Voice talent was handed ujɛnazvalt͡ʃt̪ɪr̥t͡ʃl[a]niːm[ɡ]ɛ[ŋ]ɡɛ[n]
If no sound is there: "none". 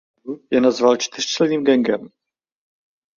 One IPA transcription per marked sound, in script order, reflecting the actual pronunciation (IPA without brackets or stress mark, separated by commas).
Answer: ɛ, ɡ, ŋ, m